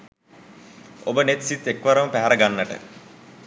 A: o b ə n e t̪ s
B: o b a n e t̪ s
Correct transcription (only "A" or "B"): A